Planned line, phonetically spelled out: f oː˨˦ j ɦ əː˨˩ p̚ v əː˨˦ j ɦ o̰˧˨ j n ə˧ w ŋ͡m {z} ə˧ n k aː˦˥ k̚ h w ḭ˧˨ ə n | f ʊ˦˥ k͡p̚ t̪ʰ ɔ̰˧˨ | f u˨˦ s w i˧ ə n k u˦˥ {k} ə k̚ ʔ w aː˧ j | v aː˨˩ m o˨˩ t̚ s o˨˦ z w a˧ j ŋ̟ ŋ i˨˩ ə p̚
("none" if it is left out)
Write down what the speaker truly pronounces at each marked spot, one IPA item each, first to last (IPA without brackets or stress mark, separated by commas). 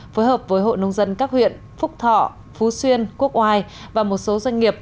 z, none